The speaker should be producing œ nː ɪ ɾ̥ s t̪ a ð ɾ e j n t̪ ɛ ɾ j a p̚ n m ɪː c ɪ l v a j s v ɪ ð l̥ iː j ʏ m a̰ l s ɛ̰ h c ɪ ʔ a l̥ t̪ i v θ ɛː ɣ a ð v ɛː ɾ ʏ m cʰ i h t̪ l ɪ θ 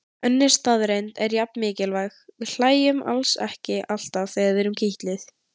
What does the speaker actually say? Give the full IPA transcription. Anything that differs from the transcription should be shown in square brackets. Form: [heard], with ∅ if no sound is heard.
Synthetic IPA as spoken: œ nː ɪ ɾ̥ s t̪ a ð ɾ e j n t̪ ɛ ɾ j a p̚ n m ɪː c ɪ l v a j [x] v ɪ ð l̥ [aː] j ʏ m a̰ l s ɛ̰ h c ɪ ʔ a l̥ t̪ [a] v θ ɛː ɣ a ð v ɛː ɾ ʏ m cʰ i h t̪ l ɪ θ